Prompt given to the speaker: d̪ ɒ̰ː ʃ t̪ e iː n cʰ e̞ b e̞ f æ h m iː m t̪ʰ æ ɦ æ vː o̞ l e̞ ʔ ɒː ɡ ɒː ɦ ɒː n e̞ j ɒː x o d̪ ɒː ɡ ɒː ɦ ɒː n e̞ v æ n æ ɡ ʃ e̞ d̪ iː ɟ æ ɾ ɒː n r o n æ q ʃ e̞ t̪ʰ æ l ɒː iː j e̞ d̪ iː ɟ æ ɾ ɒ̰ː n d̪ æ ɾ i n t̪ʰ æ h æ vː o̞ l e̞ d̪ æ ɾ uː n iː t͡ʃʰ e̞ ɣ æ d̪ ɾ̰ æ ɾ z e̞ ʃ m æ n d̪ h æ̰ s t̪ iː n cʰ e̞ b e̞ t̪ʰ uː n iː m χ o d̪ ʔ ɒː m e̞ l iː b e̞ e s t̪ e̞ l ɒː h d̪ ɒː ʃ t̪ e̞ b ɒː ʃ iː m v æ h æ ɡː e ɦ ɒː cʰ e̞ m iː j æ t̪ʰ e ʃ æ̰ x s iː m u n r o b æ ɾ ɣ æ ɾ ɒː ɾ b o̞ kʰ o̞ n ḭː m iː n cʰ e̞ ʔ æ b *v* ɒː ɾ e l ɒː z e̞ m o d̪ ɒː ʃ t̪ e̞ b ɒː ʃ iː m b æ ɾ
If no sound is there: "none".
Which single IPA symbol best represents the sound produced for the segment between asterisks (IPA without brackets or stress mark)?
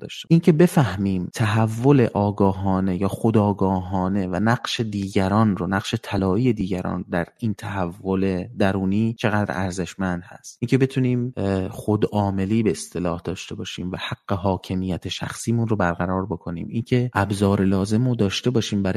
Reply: z